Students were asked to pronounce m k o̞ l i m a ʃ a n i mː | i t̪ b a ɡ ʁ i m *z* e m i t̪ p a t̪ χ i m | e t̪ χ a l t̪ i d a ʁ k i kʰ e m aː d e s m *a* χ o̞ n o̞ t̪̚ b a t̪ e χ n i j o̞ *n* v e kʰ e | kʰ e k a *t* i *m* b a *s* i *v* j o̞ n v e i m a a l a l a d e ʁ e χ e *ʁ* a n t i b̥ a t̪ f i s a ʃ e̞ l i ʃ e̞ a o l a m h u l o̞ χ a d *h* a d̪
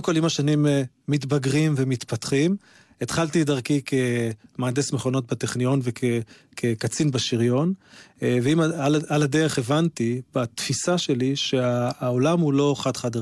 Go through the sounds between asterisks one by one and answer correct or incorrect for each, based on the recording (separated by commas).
incorrect, incorrect, correct, incorrect, incorrect, incorrect, incorrect, incorrect, incorrect